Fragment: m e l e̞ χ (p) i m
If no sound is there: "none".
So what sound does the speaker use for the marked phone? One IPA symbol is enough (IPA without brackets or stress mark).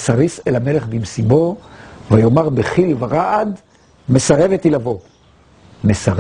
b